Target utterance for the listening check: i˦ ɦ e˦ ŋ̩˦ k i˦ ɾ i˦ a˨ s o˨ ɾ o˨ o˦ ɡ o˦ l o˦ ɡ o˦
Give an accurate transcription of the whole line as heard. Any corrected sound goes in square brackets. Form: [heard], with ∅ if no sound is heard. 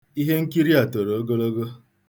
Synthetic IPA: i˦ ɦ e˦ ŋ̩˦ k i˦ ɾ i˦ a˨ [t] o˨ ɾ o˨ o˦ ɡ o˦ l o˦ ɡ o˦